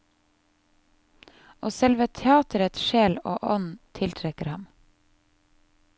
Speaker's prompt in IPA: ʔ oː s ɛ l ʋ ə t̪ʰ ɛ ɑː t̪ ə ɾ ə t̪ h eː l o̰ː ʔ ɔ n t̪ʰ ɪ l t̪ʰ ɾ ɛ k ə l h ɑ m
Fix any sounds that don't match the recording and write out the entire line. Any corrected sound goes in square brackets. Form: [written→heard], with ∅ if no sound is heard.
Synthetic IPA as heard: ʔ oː s ɛ l ʋ ə t̪ʰ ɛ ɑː t̪ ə ɾ ə t̪ [h→ʃ] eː l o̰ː ʔ ɔ n t̪ʰ ɪ l t̪ʰ ɾ ɛ k ə [l→ɾ] h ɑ m